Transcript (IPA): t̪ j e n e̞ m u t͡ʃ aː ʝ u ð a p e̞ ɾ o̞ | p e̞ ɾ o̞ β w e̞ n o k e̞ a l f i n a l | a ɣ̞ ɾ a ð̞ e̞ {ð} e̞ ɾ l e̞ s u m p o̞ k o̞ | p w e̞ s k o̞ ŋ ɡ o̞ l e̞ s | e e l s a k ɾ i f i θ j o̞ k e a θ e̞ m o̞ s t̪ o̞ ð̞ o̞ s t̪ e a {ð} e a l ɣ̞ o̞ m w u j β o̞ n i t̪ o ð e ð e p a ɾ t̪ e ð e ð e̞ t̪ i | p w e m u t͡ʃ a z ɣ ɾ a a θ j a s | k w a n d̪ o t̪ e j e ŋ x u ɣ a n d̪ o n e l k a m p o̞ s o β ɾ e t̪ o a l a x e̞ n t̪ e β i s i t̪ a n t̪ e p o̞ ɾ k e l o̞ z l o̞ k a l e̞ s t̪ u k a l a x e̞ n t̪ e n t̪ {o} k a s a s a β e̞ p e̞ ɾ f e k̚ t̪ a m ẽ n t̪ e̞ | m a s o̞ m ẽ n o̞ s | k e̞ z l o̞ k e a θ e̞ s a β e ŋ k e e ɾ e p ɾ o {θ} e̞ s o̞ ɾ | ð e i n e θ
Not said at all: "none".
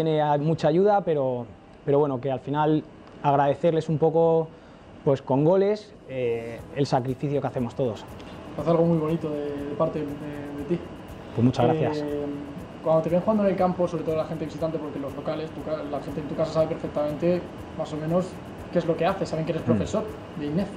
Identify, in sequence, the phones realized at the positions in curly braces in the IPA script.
θ, θ, u, f

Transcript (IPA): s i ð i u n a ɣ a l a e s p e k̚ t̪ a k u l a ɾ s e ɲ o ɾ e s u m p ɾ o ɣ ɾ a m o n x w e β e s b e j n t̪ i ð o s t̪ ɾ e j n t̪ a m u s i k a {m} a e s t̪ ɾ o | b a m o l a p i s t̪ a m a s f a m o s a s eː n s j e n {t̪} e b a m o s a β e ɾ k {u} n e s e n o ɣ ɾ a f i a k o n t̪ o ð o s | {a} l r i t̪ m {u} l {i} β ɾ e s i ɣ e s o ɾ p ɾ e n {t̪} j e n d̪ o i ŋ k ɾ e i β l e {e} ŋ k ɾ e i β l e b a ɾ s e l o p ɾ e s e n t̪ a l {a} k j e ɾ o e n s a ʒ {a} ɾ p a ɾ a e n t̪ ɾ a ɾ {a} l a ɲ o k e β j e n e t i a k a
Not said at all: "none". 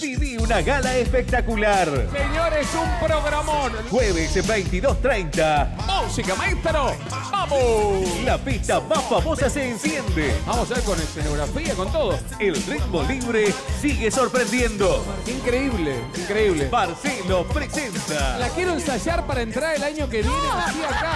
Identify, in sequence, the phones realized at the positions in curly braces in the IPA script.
m, d̪, o, e, o, i, d̪, i, a, a, e

